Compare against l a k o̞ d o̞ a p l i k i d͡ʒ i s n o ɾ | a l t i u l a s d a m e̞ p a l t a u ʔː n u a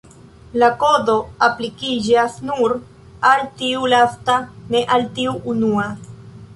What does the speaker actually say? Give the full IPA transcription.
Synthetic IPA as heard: l a k o̞ d o̞ a p l i k i d͡ʒ a s n u ɾ | a l t i u l a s t a n e̞ ʔ a l t i u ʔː n u a

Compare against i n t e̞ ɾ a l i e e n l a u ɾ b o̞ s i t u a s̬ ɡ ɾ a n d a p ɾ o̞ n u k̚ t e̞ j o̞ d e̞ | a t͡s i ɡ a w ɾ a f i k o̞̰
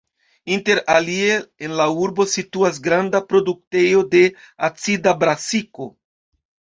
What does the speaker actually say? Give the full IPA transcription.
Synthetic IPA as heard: i n t e̞ ɾ a l i e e n l a u ɾ b o̞ s i t u a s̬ ɡ ɾ a n d a p ɾ o̞ d u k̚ t e̞ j o̞ d e̞ | a t͡s i d a b ɾ a s i k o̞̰

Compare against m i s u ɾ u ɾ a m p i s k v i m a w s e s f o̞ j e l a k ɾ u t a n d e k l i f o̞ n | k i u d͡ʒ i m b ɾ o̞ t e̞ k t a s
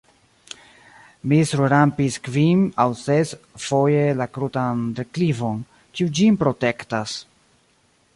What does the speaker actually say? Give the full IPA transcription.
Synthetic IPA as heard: m i s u ɾ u ɾ a m p i s k v i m a w s e s f o̞ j e l a k ɾ u t a n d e k l i v o̞ n | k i u d͡ʒ i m p ɾ o̞ t e̞ k t a s

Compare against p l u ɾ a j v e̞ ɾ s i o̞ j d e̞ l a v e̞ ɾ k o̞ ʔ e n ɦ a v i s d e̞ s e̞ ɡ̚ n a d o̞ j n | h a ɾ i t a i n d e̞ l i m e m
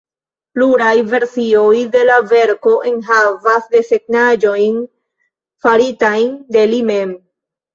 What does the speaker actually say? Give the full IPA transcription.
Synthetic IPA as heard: p l u ɾ a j v e̞ ɾ s i o̞ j d e̞ l a v e̞ ɾ k o̞ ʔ e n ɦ a v a s d e̞ s e̞ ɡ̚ n a d͡ʒ o̞ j n | f a ɾ i t a j n d e̞ l i m e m

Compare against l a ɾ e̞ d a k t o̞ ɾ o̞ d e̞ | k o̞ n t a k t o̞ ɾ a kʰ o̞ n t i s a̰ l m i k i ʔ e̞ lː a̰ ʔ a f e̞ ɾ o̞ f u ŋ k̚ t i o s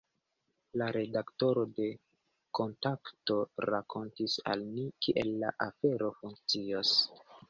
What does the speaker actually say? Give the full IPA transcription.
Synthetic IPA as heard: l a ɾ e̞ d a k t o̞ ɾ o̞ d e̞ | k o̞ n t a k t o̞ ɾ a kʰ o̞ n t i s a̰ l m i k i ʔ e̞ lː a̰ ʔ a f e̞ ɾ o̞ f u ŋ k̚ t͡s i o s

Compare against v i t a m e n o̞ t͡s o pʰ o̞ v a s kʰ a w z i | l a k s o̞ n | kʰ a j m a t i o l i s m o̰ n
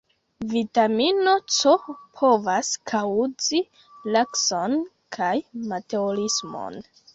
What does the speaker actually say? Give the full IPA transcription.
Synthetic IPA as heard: v i t a m i n o̞ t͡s o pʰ o̞ v a s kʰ a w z i | l a k s o̞ n | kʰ a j m a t e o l i s m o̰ n

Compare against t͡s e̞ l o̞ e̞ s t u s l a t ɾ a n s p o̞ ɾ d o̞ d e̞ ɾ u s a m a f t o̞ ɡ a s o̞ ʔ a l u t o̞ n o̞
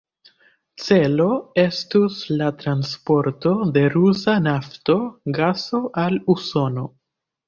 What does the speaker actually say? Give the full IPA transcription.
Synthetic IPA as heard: t͡s e̞ l o̞ e̞ s t u s l a t ɾ a n s p o̞ ɾ t o̞ d e̞ ɾ u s a n a f t o̞ ɡ a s o̞ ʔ a l u s o̞ n o̞

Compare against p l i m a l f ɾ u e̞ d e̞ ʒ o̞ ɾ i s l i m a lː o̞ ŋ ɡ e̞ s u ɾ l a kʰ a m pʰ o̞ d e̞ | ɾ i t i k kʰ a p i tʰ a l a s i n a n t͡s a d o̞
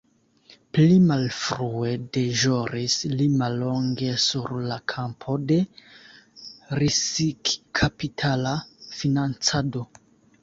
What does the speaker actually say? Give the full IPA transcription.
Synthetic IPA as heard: p l i m a l f ɾ u e̞ d e̞ ʒ o̞ ɾ i s l i m a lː o̞ ŋ ɡ e̞ s u ɾ l a kʰ a m pʰ o̞ d e̞ | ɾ i s i k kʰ a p i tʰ a l a f i n a n t͡s a d o̞

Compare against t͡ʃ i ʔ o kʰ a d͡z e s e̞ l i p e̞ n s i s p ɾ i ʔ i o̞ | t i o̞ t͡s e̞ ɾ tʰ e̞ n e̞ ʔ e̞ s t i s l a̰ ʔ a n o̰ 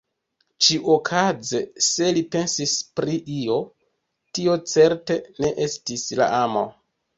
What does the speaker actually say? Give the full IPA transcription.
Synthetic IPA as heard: t͡ʃ i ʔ o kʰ a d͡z e s e̞ l i p e̞ n s i s p ɾ i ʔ i o̞ | t i o̞ t͡s e̞ ɾ t e̞ n e̞ ʔ e̞ s t i s l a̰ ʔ a m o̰

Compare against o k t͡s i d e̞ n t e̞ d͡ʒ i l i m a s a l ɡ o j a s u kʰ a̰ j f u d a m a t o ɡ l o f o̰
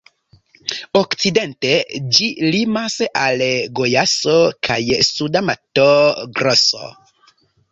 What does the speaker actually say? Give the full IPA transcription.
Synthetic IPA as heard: o k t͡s i d e̞ n t e̞ d͡ʒ i l i m a s a l ɡ o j a s o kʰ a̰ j s u d a m a t o ɡ ɾ o s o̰

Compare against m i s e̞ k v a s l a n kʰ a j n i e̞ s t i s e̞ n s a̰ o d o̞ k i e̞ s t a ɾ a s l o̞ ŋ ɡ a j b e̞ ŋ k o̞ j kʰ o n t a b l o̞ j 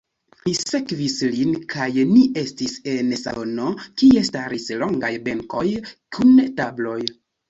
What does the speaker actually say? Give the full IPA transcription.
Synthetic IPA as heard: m i s e̞ k v i s l i n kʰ a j n i e̞ s t i s e̞ n s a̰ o n o̞ k i e̞ s t a ɾ i s l o̞ ŋ ɡ a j b e̞ ŋ k o̞ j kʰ u n t a b l o̞ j

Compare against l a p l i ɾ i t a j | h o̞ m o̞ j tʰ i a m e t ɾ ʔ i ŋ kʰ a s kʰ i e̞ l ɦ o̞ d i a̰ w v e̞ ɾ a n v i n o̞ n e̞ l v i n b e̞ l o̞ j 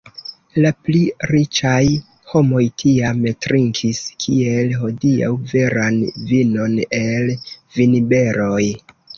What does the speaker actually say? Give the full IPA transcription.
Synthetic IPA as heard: l a p l i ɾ i t͡ʃ a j | h o̞ m o̞ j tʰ i a m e t ɾ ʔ i ŋ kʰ i s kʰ i e̞ l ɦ o̞ d i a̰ w v e̞ ɾ a n v i n o̞ n e̞ l v i n b e̞ ɾ o̞ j

